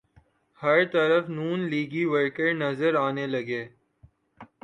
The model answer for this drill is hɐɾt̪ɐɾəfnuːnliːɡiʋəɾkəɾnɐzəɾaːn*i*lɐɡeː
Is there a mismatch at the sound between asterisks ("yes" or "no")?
yes